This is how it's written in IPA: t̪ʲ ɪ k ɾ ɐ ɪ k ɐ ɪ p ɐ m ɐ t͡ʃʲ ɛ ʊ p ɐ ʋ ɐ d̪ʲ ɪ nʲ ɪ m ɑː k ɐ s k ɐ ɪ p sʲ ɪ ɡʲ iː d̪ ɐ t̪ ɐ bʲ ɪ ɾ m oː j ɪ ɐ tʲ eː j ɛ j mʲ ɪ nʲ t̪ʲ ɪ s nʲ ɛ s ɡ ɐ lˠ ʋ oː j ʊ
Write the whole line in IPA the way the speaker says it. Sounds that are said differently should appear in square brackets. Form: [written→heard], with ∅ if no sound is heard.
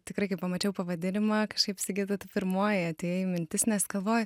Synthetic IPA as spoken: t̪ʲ ɪ k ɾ ɐ ɪ k ɐ ɪ p ɐ m ɐ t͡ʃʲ ɛ ʊ p ɐ ʋ ɐ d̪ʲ ɪ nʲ ɪ m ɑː k ɐ [s→ʃ] k ɐ ɪ p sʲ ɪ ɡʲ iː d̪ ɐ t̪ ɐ [bʲ→pʲ] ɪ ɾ m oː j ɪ ɐ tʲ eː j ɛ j mʲ ɪ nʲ t̪ʲ ɪ s nʲ ɛ s ɡ ɐ lˠ ʋ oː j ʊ